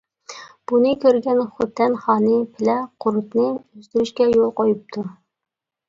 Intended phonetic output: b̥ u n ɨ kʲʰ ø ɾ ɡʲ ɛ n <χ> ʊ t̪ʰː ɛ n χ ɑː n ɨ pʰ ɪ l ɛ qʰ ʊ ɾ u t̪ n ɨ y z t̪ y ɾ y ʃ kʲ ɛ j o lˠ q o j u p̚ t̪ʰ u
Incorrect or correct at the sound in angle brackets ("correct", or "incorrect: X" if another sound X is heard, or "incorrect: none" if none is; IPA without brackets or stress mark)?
correct